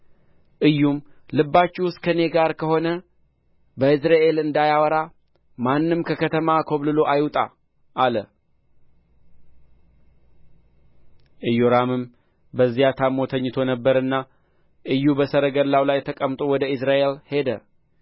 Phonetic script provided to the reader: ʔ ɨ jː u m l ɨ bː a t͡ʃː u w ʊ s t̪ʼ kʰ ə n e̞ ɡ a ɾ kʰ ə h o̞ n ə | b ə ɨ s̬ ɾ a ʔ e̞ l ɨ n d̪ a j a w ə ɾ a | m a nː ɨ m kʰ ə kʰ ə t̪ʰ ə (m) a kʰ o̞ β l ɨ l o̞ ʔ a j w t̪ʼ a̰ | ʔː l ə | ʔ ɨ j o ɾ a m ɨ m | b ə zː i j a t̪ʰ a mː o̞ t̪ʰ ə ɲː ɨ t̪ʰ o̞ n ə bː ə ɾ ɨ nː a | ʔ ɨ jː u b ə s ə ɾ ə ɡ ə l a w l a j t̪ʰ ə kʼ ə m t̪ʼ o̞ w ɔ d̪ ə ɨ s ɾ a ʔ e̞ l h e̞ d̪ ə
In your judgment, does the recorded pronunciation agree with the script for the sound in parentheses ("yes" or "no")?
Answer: yes